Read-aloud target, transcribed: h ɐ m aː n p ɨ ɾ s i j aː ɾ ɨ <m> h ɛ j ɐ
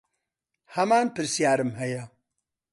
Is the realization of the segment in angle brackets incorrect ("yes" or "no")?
no